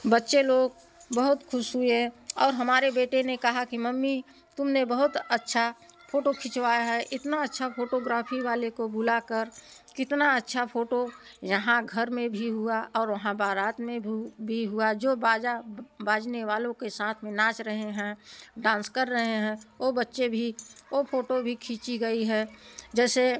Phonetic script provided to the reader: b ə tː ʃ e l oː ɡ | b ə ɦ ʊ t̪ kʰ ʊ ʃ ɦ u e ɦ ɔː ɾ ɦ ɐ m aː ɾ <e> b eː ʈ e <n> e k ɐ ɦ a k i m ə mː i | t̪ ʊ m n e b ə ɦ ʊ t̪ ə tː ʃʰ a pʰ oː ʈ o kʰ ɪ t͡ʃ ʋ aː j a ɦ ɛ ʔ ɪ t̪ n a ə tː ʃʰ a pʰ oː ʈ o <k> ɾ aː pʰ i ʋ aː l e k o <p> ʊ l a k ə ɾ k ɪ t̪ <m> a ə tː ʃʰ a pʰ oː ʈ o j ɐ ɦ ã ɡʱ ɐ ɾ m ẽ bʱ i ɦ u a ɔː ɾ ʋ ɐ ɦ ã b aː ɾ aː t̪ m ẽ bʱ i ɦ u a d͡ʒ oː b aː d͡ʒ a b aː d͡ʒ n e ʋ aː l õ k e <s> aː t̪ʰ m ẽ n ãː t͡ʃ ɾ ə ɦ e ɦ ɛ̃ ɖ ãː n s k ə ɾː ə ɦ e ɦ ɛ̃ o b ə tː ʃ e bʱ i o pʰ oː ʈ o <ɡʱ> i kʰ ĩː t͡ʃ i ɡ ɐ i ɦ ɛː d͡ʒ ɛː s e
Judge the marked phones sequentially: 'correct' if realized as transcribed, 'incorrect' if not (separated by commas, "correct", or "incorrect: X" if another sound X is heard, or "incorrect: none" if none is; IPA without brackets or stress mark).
correct, correct, incorrect: ɡ, incorrect: b, incorrect: n, correct, incorrect: bʱ